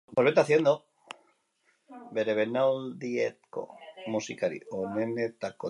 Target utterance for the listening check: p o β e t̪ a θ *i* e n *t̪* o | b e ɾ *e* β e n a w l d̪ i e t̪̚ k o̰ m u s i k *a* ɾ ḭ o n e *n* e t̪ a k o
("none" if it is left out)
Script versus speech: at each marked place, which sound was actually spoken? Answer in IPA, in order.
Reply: j, d̪, e, a, n

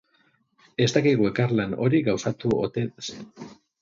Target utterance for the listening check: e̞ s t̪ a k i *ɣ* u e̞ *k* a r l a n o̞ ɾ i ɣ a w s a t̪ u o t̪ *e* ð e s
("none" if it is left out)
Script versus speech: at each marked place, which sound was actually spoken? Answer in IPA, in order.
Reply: ɣ, k, e

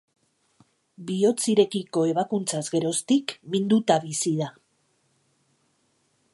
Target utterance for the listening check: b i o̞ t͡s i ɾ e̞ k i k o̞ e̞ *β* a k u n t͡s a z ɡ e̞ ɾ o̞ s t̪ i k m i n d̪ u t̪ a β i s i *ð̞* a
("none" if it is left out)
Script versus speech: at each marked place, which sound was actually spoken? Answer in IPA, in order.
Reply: β, ð̞

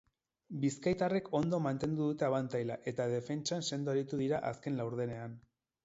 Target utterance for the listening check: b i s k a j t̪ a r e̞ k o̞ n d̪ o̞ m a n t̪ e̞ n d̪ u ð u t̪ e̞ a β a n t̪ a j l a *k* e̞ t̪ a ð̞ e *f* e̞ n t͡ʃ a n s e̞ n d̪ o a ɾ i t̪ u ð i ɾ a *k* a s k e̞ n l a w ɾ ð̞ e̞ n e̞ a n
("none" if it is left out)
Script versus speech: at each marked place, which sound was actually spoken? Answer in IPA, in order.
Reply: ʔ, f, ʔ

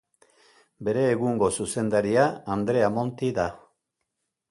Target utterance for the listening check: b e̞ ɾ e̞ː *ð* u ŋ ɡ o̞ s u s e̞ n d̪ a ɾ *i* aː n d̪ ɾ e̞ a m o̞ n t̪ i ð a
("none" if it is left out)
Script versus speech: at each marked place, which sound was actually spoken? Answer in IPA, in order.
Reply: ɣ, i

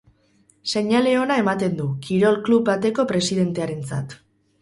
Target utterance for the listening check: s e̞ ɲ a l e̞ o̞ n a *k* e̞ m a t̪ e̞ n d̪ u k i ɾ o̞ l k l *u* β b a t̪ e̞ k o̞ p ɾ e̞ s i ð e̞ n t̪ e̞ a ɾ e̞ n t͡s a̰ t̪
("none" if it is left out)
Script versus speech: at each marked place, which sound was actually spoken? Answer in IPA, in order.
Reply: none, u

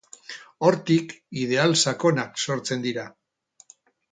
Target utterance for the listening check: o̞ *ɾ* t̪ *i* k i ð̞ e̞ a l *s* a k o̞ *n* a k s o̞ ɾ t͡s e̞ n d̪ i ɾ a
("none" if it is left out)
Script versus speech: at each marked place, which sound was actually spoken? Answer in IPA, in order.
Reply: ɾ, i, s, n

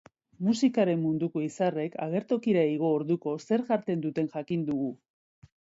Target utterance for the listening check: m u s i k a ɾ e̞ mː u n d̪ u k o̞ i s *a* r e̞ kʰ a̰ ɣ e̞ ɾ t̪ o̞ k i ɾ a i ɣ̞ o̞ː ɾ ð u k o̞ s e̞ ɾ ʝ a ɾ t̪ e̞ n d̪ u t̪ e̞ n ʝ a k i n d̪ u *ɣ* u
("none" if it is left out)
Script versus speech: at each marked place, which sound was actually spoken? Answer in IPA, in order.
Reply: a, ɣ

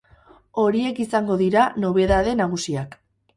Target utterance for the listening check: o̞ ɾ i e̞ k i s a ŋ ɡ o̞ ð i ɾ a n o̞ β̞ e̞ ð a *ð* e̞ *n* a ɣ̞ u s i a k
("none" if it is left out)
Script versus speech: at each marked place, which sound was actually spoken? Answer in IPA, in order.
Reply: ð, n

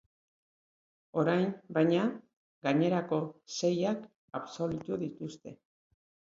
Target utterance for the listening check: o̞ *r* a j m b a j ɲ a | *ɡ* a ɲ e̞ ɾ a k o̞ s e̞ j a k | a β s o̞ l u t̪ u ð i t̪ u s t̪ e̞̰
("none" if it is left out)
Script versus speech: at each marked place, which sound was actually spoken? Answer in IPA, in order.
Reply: ɾ, ɡ

